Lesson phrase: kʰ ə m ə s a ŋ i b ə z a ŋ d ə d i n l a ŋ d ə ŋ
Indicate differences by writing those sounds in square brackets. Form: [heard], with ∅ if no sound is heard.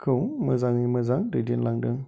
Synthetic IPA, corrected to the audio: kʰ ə m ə [z] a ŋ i [m] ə z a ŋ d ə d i n l a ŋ d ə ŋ

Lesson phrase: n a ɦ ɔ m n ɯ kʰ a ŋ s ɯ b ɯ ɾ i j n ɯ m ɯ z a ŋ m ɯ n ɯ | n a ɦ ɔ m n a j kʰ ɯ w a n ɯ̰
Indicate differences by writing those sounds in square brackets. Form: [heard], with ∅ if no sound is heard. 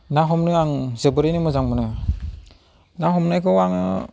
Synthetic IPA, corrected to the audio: n a ɦ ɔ m n ɯ [∅] a ŋ [z] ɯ b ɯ ɾ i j n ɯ m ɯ z a ŋ m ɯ n ɯ | n a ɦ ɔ m n a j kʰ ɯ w a [ŋ] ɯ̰

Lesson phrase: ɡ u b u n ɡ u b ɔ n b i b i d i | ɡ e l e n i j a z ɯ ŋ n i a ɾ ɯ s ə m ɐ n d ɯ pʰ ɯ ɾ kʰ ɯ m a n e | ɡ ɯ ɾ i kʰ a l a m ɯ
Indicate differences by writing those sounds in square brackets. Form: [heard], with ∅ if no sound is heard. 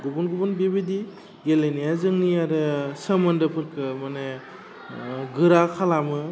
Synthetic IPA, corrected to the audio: ɡ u b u n ɡ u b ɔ n b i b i d i | ɡ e l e n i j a z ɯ ŋ n i a ɾ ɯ s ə m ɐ n d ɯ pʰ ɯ ɾ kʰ ɯ m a n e | ɡ ɯ ɾ [a] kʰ a l a m ɯ

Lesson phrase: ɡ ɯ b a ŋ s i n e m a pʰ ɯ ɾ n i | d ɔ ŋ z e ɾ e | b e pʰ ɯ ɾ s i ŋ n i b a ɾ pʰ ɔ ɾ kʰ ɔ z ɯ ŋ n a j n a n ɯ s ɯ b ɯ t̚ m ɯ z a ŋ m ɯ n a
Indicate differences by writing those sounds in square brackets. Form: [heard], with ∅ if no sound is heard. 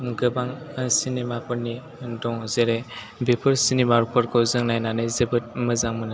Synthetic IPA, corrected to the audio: ɡ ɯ b a ŋ s i n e m a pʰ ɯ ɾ n i | d ɔ ŋ z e ɾ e | b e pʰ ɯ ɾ s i [∅] n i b a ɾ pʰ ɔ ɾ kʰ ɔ z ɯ ŋ n a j n a n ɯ [z] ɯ b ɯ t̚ m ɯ z a ŋ m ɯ n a

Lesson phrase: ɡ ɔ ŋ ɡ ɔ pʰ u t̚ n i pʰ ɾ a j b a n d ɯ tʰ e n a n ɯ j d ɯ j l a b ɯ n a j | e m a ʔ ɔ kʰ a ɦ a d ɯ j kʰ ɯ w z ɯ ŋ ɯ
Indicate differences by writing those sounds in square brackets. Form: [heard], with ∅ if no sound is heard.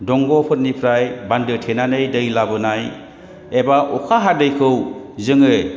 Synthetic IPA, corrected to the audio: [d] ɔ ŋ ɡ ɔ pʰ [ɯ] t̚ n i pʰ ɾ a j b a n d ɯ tʰ e n a n ɯ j d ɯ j l a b ɯ n a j | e [b] a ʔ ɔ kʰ a ɦ a d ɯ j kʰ ɯ w z ɯ ŋ ɯ

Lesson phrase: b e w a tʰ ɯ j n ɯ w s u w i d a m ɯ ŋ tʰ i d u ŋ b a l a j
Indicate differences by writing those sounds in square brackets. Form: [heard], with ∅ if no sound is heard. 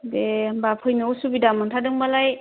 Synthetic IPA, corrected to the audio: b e [b] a [pʰ] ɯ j n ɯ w s u [b] i d a m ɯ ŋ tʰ [a] d [ɯ] ŋ b a l a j

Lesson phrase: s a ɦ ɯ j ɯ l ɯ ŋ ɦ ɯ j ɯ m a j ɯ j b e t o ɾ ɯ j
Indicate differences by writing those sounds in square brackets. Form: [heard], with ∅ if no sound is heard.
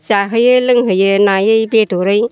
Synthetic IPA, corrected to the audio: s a ɦ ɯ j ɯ l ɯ ŋ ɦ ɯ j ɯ [n] a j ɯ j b e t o ɾ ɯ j

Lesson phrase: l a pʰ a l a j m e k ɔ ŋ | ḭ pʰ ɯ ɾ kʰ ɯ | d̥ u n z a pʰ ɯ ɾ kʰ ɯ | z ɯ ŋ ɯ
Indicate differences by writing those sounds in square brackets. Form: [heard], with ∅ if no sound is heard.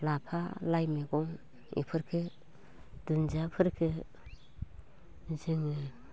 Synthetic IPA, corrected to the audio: l a pʰ a l a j m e [ɡ] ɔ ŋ | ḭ pʰ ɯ ɾ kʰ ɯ | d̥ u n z a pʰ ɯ ɾ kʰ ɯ | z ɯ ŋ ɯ

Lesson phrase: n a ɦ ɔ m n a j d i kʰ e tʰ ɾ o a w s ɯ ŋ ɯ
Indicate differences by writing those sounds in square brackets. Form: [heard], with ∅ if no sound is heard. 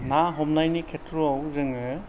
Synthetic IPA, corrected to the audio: n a ɦ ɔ m n a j [n] i kʰ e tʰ ɾ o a w [z] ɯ ŋ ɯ

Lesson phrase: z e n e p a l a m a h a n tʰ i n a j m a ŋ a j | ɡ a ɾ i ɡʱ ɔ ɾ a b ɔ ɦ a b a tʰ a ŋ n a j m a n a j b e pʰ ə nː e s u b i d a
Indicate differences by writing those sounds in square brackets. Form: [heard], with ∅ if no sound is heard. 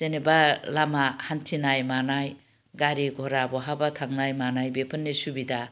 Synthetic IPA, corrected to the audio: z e n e [b] a l a m a h a n tʰ i n a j m a [n] a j | ɡ a ɾ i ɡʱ ɔ ɾ a b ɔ ɦ a b a tʰ a ŋ n a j m a n a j b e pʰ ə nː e s u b i d a

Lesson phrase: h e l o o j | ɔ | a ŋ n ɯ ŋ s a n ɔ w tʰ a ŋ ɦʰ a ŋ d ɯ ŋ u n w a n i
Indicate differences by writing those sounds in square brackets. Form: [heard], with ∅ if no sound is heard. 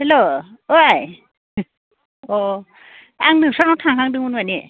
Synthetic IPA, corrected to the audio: h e l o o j | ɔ | a ŋ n ɯ ŋ s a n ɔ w tʰ a ŋ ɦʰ a ŋ d ɯ ŋ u n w a n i

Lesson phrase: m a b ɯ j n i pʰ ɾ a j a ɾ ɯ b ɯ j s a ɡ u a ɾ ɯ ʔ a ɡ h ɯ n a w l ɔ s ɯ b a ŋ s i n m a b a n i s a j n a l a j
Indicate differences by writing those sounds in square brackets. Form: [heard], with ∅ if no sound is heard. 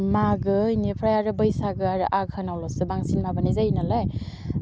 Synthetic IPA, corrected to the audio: m a [ɡ] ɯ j n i pʰ ɾ a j a ɾ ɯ b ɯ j s a ɡ [ɯ] a ɾ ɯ ʔ a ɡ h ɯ n a w l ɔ s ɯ b a ŋ s i n m a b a n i [z] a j n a l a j

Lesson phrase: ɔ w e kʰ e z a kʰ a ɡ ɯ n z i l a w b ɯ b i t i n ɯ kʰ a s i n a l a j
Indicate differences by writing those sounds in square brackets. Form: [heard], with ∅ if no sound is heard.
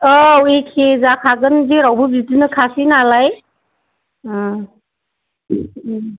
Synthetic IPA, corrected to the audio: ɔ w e kʰ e z a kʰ a ɡ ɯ n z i [ɾ] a w b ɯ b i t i n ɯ kʰ a s i n a l a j

